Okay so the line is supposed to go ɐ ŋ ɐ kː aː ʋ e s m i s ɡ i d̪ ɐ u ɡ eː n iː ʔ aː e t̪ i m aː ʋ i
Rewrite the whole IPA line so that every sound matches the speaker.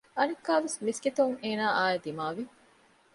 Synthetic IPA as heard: ɐ n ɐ kː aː ʋ e s m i s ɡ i t̪ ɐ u ŋ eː n aː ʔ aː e d̪ i m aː ʋ i